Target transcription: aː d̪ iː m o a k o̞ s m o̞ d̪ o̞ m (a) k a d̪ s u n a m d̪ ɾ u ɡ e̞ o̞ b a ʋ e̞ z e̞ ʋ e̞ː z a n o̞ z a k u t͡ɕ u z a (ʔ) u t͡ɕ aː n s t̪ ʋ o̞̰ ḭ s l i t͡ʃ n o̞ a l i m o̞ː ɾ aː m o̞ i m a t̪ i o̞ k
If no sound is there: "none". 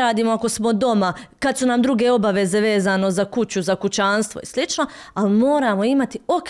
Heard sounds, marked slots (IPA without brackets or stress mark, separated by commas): a, k